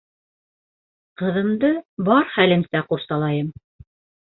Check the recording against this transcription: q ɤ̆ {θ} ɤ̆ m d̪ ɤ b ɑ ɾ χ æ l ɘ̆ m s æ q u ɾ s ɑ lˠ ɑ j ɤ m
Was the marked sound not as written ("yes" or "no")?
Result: yes